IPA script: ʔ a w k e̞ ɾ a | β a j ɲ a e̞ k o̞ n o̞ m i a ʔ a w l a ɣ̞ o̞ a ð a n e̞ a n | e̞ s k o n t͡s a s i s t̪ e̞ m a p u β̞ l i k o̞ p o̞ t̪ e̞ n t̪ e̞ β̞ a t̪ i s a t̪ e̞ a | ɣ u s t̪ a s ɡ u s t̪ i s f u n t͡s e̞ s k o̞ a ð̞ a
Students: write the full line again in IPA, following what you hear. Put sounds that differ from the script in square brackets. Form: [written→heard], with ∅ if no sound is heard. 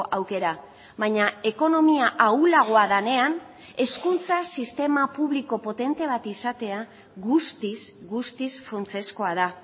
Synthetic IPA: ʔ a w k e̞ ɾ a | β a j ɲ a e̞ k o̞ n o̞ m i a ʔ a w l a ɣ̞ o̞ a ð a n e̞ a n | e̞ s k [o→u] n t͡s a s i s t̪ e̞ m a p u β̞ l i k o̞ p o̞ t̪ e̞ n t̪ e̞ β̞ a t̪ i s a t̪ e̞ a | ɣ u s t̪ [a→i] s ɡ u s t̪ i s f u n t͡s e̞ s k o̞ a ð̞ a